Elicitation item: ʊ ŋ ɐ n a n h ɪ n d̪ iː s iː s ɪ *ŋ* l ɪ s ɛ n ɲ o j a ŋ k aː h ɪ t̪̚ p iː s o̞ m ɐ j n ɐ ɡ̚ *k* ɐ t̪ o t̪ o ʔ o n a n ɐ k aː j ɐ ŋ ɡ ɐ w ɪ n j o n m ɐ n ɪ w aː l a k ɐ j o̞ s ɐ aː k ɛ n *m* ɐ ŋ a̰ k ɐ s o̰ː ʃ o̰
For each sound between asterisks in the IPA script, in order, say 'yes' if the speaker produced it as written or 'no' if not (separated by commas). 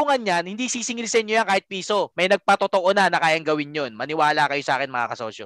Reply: yes, no, yes